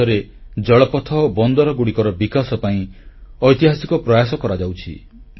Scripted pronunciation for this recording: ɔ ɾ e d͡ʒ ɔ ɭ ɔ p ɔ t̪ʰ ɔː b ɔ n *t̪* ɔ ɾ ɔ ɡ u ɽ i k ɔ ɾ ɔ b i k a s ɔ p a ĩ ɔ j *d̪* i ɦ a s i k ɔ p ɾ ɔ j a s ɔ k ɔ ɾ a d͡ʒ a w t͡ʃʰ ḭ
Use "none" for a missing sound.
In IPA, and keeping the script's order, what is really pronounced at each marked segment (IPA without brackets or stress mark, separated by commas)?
d̪, t̪